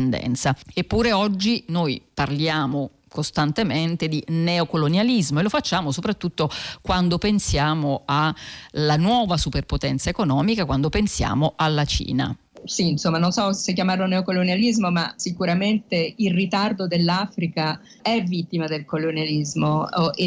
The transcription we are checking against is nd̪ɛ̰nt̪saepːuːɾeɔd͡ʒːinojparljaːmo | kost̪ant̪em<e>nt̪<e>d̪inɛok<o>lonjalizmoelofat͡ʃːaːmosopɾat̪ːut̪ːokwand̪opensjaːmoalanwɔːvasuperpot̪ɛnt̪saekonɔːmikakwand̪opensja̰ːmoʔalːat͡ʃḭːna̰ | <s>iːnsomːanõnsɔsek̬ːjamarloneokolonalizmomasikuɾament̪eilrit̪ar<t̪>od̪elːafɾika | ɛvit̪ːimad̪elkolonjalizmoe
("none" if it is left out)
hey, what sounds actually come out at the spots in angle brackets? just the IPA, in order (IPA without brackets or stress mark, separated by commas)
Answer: e, e, o, s, d̪